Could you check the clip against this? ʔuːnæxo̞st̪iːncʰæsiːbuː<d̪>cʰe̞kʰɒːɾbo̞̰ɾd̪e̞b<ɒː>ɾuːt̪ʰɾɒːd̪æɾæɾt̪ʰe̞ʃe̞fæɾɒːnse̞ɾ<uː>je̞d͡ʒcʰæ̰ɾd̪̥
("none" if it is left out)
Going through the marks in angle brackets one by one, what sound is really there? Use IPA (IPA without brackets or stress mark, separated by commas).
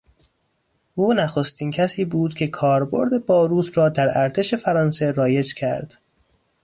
d̪, ɒː, ɒː